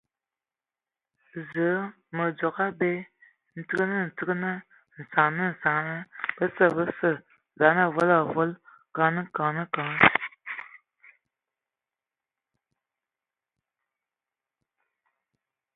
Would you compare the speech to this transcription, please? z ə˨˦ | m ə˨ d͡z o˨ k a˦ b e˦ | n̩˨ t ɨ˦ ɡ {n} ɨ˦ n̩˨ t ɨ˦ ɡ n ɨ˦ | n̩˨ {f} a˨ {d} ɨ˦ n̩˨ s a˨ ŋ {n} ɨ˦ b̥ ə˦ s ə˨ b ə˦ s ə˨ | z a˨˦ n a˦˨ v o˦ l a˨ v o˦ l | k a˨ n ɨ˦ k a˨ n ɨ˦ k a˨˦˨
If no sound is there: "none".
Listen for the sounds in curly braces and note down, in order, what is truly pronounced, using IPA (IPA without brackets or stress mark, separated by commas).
n, s, n, n